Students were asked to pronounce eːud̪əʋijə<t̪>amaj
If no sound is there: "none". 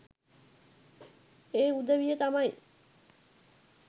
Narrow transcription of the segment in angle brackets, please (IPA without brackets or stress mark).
t̪